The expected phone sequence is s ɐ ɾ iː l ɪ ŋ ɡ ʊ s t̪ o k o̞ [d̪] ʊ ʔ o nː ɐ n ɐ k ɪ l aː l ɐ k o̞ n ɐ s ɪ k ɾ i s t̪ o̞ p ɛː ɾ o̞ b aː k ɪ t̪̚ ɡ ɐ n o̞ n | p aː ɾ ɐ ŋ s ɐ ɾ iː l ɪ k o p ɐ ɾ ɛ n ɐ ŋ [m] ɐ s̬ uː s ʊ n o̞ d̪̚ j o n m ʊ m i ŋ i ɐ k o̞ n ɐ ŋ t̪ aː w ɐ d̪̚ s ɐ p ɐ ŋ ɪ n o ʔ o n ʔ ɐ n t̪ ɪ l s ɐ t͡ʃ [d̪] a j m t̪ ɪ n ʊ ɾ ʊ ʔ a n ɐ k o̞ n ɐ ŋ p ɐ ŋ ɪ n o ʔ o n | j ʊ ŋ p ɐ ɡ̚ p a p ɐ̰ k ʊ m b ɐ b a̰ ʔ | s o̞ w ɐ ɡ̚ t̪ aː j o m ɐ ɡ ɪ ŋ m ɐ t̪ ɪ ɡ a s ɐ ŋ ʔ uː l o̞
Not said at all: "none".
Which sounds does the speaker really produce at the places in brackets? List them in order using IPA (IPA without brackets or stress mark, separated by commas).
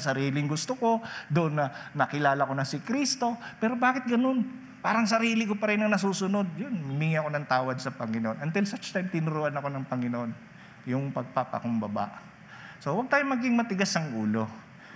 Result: d̪, n, t̪